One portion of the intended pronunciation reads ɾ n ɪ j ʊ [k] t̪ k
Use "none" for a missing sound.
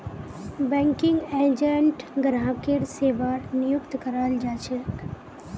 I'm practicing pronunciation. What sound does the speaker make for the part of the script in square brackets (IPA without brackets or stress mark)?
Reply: k